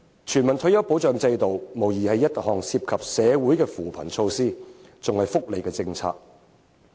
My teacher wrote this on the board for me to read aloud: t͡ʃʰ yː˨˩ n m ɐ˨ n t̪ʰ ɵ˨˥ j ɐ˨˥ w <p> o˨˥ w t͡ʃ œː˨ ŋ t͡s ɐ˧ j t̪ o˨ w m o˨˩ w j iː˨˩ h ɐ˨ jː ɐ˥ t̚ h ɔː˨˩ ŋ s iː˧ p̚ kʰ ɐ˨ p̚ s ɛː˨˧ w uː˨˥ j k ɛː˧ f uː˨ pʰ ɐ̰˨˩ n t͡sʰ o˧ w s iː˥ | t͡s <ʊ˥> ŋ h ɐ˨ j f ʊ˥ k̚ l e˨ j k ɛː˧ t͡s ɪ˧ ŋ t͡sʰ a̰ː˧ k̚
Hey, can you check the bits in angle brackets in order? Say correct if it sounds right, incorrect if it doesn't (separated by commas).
correct, incorrect